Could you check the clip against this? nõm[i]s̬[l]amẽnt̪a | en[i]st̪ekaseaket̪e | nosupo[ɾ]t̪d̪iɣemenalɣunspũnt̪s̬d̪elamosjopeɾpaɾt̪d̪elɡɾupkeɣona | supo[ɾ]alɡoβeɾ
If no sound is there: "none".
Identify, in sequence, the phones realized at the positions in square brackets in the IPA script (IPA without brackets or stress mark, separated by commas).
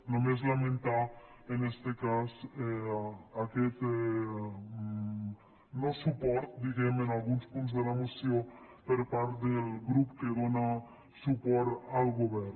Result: e, l, e, ɾ, ɾ